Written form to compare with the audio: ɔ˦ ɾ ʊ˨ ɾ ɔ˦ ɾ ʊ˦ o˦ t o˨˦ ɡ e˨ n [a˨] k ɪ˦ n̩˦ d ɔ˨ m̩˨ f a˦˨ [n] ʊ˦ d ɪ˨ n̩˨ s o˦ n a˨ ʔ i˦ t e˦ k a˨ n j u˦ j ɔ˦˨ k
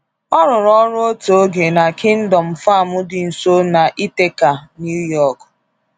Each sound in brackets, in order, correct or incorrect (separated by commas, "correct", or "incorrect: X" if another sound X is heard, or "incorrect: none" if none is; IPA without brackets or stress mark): correct, incorrect: m